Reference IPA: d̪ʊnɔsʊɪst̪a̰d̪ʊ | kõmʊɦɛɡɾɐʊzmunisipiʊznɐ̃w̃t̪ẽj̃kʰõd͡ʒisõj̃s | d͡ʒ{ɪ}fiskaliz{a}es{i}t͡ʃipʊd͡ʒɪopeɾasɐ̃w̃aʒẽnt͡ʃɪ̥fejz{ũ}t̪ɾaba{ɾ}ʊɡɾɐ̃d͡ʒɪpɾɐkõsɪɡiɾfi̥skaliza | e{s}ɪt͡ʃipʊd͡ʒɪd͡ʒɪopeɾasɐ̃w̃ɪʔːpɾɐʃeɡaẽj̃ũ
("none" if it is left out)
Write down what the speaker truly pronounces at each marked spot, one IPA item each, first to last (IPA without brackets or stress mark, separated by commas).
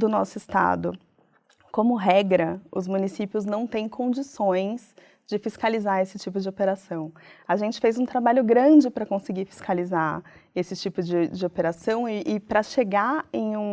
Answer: ɪ, a, ɪ, ũ, ʎ, s